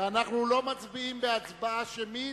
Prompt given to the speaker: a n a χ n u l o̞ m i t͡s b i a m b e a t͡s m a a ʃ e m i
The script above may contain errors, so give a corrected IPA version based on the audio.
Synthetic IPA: a n a χ n u l o̞ m a t͡s b i i m b e a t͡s b a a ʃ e m i